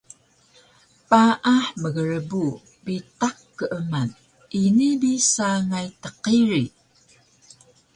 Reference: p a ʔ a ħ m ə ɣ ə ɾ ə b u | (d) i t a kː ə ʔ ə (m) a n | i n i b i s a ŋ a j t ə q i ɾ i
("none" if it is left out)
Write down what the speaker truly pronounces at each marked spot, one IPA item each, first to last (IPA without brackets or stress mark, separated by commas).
b, m